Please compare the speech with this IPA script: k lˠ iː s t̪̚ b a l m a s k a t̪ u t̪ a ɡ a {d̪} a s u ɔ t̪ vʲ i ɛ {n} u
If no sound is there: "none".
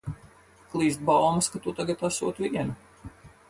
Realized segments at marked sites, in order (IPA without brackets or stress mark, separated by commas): t̪, n